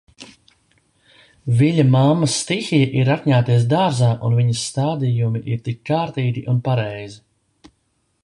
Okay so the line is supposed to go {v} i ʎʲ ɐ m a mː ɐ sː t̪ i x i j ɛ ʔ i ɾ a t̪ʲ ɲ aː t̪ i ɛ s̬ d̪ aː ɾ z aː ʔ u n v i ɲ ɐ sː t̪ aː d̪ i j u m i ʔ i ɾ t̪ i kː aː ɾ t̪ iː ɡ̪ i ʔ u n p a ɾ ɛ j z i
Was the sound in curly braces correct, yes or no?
yes